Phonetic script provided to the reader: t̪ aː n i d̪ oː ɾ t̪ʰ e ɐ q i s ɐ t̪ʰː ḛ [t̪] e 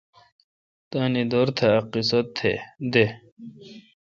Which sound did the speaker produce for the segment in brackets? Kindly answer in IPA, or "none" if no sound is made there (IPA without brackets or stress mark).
d̪